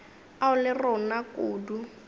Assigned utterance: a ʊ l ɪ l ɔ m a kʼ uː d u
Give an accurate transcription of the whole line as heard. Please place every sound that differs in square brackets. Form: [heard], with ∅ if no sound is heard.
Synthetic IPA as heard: a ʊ l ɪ [r] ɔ [n] a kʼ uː d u